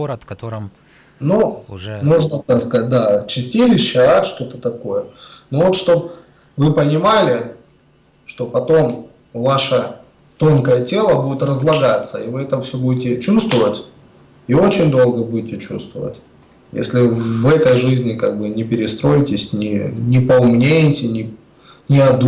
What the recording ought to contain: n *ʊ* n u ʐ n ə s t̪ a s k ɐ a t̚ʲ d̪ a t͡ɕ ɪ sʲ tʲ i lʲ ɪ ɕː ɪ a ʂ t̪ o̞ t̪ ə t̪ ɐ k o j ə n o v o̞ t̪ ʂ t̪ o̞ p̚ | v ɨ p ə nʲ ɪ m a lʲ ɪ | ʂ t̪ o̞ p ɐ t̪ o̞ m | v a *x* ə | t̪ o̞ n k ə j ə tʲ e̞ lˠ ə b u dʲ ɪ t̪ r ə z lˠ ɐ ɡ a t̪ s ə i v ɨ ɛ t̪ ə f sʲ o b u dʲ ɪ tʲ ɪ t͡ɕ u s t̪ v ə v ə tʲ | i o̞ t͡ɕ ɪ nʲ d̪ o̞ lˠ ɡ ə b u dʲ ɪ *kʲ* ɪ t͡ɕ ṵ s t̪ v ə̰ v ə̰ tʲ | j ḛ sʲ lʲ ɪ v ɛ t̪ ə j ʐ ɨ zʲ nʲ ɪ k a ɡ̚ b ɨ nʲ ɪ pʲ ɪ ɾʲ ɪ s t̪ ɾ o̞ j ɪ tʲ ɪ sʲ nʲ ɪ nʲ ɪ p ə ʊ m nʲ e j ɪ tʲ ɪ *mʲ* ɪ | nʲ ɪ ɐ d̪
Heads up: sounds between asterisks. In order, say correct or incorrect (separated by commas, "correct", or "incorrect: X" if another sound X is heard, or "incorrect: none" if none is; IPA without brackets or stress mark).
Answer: incorrect: u, incorrect: ʂ, incorrect: tʲ, incorrect: nʲ